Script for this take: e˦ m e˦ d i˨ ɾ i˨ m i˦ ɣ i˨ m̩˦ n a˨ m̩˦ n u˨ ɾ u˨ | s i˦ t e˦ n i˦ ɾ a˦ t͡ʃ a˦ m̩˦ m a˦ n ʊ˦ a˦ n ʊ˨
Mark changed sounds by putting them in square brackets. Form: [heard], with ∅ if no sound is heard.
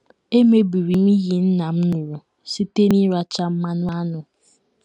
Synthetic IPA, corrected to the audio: e˦ m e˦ [b] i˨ ɾ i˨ m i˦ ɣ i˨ [n̩˦] n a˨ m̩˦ n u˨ ɾ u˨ | s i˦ t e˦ n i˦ ɾ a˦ t͡ʃ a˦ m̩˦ m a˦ n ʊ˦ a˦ n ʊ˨